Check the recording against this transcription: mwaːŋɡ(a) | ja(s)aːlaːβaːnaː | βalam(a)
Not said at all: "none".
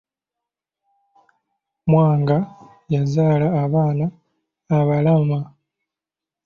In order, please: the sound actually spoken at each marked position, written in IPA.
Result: a, z, a

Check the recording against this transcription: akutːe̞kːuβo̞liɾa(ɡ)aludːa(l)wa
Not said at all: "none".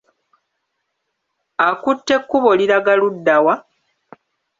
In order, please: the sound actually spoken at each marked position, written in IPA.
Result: ɡ, none

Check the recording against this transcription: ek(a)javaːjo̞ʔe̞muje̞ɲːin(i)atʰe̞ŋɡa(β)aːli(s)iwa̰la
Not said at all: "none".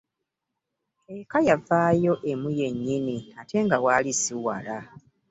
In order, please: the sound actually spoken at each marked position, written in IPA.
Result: a, i, w, s

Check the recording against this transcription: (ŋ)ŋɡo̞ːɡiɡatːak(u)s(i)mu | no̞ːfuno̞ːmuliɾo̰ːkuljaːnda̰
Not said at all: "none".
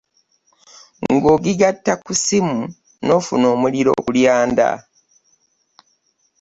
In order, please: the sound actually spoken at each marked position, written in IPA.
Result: ŋ, u, i

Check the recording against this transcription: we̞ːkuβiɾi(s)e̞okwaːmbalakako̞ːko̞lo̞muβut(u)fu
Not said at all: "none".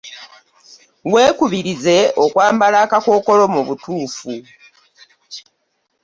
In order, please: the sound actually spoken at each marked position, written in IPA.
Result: z, uː

